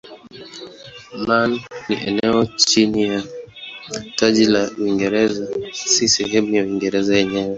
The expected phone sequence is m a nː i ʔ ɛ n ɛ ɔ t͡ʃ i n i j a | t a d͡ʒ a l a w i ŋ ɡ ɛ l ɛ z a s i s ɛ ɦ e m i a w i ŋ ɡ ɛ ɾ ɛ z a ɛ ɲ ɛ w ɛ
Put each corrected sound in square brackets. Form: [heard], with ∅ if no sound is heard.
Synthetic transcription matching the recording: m a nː i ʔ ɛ n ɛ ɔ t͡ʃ i n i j a | t a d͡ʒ [i] l a w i ŋ ɡ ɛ [ɾ] ɛ z a s i s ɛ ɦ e m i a w i ŋ ɡ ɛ ɾ ɛ z a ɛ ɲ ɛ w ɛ